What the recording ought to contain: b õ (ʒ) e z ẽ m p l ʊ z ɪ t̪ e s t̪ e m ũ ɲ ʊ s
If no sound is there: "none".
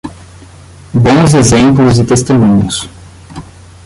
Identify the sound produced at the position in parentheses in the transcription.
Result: z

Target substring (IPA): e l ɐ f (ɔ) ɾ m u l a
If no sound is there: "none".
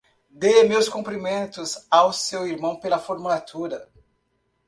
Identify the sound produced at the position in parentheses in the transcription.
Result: o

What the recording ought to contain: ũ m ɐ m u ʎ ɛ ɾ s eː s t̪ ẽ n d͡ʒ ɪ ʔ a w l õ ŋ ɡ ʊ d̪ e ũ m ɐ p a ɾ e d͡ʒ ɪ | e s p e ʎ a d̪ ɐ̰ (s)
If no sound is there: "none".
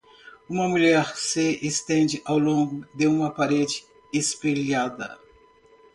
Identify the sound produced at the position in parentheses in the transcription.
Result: none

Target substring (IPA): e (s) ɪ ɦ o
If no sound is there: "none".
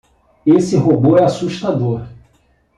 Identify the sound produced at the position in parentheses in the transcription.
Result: s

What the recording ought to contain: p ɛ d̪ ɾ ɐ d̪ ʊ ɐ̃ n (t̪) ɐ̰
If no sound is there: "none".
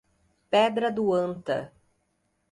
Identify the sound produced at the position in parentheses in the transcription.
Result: t̪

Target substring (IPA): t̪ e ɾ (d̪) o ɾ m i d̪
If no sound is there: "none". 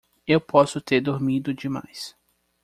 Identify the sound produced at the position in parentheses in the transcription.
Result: d̪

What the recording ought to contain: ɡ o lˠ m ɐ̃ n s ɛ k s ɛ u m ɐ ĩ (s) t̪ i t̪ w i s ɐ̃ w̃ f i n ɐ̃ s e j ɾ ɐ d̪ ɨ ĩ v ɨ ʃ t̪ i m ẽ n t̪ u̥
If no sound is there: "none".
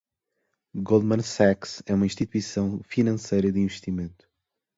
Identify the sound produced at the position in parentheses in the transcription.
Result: ʃ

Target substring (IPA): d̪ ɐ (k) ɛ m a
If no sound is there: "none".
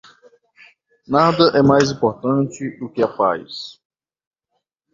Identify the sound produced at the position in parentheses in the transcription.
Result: ʔ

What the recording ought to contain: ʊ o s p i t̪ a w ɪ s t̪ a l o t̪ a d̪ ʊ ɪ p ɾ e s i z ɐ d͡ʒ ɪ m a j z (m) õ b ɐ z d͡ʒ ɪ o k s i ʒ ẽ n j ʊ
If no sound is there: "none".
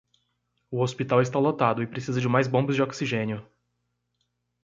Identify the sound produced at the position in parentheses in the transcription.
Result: b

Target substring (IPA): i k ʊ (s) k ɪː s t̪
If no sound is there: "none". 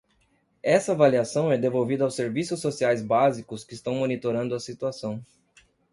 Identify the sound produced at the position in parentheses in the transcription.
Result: s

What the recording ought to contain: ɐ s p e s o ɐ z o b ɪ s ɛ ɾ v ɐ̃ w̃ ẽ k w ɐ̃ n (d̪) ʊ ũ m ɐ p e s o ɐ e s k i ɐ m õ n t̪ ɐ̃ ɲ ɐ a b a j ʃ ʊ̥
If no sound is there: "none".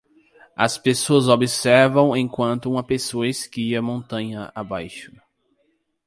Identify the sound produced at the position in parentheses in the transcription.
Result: t̪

